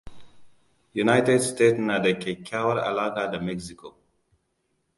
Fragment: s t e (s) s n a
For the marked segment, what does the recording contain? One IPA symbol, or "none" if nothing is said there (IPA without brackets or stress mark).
t